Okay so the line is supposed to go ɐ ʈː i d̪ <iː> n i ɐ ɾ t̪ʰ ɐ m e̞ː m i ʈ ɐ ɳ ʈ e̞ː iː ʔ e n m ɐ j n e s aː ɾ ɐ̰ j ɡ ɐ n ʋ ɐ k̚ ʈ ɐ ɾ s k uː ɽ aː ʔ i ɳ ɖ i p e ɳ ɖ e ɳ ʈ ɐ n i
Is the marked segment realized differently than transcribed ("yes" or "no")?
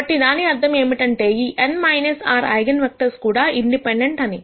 yes